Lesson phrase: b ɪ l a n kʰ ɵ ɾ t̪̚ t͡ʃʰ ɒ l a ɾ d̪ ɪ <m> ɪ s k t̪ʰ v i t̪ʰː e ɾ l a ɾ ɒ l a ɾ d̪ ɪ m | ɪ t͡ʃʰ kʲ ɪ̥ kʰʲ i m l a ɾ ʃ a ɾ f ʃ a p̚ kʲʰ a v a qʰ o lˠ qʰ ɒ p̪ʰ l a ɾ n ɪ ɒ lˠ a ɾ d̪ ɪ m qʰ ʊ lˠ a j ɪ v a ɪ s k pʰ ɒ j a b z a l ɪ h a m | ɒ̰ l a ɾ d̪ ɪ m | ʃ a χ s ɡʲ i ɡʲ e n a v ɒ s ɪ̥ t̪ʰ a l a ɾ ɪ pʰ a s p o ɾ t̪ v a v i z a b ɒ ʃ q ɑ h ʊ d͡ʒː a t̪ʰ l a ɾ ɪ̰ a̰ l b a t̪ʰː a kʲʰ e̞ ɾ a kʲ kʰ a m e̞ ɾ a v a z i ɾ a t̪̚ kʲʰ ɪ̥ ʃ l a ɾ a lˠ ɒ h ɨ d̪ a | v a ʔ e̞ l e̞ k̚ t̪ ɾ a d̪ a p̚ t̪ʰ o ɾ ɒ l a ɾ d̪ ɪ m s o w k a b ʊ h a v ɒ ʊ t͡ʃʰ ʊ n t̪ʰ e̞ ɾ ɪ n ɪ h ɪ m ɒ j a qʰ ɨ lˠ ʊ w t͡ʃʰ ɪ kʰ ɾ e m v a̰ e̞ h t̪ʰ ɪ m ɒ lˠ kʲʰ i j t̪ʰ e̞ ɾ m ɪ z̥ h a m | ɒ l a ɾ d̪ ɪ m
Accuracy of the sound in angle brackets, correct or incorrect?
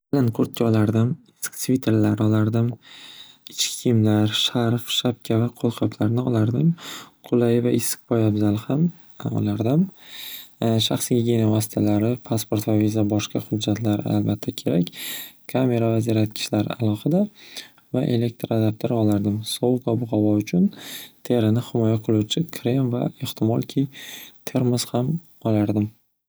correct